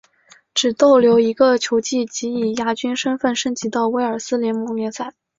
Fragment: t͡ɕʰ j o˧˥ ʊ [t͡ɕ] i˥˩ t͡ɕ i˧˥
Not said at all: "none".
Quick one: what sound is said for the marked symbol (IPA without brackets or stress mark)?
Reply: t͡ɕ